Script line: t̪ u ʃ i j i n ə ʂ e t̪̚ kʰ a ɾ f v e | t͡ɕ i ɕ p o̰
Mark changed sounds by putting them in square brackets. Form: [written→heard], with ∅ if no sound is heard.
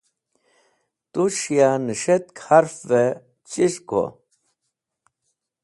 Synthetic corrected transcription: t̪ u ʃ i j [i→a] n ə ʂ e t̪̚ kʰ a ɾ f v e | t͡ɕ i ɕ [p→k] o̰